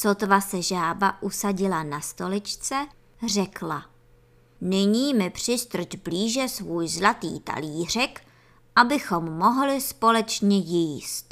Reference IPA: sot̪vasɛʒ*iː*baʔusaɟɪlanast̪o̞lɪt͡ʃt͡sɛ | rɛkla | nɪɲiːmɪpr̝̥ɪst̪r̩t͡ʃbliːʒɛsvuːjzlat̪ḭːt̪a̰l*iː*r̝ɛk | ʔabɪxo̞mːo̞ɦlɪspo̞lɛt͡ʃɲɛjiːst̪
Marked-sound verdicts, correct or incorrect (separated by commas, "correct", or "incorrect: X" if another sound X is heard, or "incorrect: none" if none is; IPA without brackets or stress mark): incorrect: aː, correct